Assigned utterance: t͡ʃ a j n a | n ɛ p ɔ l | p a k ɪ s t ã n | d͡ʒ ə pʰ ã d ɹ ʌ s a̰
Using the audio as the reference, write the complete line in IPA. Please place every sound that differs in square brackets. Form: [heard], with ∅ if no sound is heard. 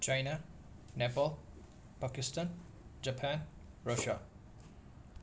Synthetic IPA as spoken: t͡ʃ a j n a | n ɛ p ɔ l | p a k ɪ s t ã n | d͡ʒ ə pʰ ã [n] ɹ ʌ [ʃ] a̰

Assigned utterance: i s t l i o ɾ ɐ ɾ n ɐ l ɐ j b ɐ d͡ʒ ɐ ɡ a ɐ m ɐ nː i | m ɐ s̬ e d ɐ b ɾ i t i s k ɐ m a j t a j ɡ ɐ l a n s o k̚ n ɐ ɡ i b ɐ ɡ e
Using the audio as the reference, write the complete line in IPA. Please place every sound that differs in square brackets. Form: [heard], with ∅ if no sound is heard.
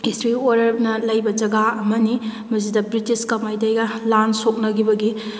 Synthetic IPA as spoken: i s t [ɾ] i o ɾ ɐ ɾ n ɐ l ɐ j b ɐ d͡ʒ ɐ ɡ a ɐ m ɐ [n] i | m ɐ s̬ [i] d ɐ b ɾ i t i s k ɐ m a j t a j ɡ ɐ l a n s o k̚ n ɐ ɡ i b ɐ ɡ [i]

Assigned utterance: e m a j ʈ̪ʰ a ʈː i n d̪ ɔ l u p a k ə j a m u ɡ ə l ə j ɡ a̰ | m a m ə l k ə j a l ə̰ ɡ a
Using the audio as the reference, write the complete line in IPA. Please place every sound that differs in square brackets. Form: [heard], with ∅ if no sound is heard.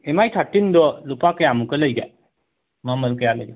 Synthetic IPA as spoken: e m a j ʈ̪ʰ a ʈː i n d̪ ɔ l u p a k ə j a m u [k] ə l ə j ɡ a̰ | m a m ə l k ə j a l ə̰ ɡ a

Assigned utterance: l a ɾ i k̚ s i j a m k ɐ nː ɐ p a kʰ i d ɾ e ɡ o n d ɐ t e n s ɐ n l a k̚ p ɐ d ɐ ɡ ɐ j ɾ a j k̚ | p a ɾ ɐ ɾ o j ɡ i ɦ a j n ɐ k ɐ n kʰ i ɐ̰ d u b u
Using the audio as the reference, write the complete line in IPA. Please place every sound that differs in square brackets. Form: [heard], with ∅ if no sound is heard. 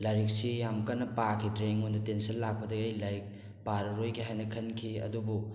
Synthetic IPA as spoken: l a ɾ i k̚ s i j a m k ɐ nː ɐ p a kʰ i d ɾ e [ŋ] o n d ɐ t e n s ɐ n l a k̚ p ɐ d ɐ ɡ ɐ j [l] a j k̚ | p a ɾ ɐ ɾ o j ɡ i ɦ a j n ɐ [kʰ] ɐ n kʰ i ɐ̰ d u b u

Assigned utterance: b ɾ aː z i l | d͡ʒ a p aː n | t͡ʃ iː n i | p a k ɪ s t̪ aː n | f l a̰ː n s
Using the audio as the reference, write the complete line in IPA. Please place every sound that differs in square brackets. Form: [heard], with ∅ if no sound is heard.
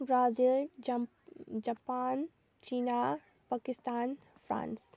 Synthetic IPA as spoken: b ɾ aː z i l | d͡ʒ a p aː n | t͡ʃ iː n [a] | p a k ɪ s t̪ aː n | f [ɾ] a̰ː n s

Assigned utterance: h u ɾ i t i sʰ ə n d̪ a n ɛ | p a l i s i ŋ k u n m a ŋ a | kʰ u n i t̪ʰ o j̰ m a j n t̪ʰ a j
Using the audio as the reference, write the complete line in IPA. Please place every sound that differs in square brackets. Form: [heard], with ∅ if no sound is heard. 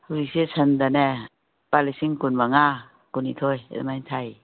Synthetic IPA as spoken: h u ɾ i [s] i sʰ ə n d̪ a n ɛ | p a l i s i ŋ k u n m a ŋ a | [k] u n i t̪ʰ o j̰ m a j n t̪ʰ a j

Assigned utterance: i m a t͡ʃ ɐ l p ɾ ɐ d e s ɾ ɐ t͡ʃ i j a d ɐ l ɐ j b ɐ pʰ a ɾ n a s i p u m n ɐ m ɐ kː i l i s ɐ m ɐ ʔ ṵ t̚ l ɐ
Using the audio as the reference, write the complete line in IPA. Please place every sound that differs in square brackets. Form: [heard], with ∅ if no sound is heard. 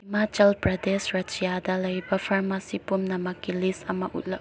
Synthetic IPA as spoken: i m a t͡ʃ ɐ l p ɾ ɐ d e s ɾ ɐ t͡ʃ i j a d ɐ l ɐ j b ɐ pʰ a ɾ [m] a s i p u m n ɐ m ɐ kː i l i s ɐ m ɐ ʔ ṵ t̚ l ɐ

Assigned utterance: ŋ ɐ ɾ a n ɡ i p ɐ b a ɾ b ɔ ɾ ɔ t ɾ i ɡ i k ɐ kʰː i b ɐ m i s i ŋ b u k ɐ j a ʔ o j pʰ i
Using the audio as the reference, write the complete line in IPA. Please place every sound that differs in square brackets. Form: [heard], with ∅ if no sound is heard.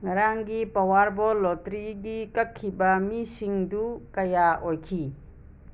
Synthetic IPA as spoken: ŋ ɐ ɾ a [ŋ] ɡ i p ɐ [w] a ɾ b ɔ [l] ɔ t ɾ i ɡ i k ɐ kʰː i b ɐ m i s i ŋ [d] u k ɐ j a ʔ o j [kʰ] i

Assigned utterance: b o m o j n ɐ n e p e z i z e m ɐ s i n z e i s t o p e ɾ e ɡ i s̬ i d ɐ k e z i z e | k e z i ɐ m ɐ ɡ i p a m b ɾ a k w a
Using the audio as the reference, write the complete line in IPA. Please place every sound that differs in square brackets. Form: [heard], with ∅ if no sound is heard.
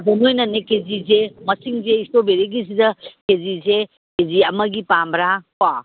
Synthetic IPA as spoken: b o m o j n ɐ n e [k] e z i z e m ɐ s i [ŋ] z e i s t o [b] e ɾ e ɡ i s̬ i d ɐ k e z i z e | k e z i ɐ m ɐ ɡ i p a m b ɾ a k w a

